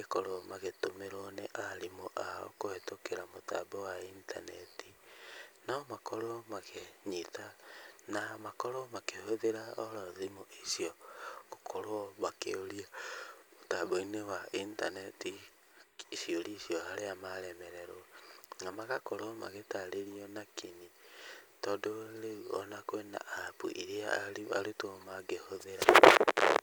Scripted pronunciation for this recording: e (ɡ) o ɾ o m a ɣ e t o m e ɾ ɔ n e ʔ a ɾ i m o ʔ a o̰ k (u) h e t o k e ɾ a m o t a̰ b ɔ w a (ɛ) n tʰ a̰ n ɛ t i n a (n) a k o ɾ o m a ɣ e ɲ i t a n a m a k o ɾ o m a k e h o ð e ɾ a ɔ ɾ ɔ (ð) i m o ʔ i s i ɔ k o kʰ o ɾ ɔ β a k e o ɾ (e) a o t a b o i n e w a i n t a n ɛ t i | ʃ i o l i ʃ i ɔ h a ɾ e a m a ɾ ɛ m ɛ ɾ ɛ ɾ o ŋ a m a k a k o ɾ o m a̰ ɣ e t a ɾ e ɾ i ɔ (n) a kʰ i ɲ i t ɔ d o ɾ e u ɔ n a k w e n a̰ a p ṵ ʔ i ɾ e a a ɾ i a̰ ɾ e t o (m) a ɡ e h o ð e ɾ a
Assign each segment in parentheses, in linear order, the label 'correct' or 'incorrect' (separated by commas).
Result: incorrect, incorrect, incorrect, incorrect, correct, incorrect, correct, correct